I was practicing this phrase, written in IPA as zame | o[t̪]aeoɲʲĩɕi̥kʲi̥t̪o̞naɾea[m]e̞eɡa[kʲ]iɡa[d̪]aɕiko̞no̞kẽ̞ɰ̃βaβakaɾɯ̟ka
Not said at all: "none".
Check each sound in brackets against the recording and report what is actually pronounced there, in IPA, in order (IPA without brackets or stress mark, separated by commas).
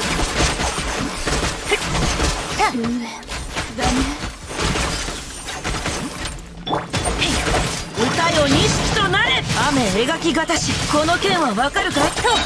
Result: t̪, m, kʲ, t̪